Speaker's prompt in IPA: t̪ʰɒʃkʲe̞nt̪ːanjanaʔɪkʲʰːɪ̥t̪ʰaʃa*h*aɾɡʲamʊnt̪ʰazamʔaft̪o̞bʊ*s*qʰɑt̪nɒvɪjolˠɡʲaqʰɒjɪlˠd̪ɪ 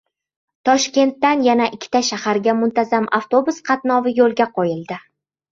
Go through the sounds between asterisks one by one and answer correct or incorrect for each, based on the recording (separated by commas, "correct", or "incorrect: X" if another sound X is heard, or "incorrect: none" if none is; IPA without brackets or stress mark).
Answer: correct, correct